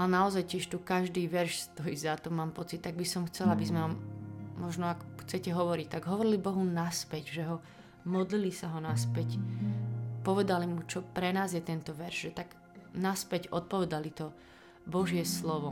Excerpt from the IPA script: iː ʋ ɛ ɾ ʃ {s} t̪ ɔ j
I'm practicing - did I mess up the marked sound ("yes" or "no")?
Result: no